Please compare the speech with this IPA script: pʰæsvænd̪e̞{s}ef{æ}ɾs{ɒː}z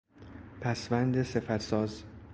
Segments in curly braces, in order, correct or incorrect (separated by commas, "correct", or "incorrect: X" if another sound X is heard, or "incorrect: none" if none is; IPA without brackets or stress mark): correct, correct, correct